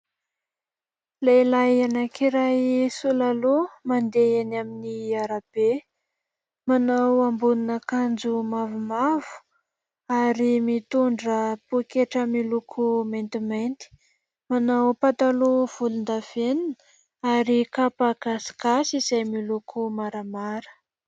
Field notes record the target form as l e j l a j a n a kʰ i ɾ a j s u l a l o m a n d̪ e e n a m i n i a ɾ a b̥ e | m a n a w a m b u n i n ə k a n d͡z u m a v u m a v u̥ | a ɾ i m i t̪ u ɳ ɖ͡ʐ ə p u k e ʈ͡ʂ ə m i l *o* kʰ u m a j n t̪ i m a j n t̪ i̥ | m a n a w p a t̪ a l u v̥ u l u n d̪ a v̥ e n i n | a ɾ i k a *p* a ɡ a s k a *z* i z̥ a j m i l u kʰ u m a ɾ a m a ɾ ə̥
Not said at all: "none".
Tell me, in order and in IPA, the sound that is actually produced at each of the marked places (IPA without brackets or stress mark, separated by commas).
u, p, s